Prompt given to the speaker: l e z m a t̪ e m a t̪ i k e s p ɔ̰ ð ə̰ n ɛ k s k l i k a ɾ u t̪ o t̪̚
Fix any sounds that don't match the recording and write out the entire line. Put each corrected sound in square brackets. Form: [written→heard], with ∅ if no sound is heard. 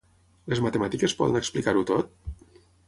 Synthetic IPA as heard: l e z m a t̪ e m a t̪ i k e s p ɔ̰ ð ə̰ n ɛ k s [k→p] l i k a ɾ u t̪ o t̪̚

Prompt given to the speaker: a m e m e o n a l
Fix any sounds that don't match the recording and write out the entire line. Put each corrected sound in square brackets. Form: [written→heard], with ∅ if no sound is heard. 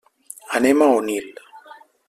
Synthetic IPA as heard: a [m→n] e m [e→a] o n [a→i] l

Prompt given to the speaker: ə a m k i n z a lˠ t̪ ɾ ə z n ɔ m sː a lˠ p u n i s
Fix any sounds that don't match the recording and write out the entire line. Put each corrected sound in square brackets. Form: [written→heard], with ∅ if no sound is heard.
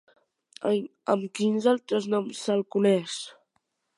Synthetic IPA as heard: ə [a→ə] m k i n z a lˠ t̪ ɾ ə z n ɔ m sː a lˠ [p→k] u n [i→ɛ] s

